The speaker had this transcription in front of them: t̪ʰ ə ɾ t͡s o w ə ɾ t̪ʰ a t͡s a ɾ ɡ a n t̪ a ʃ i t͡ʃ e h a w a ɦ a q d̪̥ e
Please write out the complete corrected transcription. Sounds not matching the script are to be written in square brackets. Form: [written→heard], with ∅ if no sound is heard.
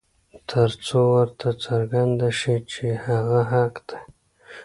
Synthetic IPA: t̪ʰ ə ɾ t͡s o w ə ɾ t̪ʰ a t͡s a ɾ ɡ a n [t̪→d̪] a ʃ i t͡ʃ e h a [w→ɣ] a ɦ a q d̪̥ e